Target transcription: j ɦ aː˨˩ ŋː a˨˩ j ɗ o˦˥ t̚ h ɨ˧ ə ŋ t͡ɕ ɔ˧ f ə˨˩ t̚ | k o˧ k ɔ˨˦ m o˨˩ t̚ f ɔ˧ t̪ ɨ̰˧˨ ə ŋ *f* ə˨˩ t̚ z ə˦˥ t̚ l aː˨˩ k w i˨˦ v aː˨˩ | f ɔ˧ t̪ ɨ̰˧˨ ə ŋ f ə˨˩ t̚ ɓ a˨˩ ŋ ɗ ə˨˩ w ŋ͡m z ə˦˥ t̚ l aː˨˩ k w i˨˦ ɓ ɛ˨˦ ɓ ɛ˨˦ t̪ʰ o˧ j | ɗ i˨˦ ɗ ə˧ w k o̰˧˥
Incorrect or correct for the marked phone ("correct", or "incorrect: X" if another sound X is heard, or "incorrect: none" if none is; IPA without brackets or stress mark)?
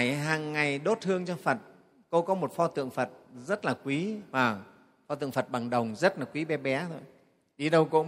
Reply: correct